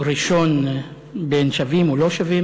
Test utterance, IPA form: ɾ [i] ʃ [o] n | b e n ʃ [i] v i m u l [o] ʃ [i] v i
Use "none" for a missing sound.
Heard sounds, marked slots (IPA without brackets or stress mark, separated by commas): i, o, a, o, a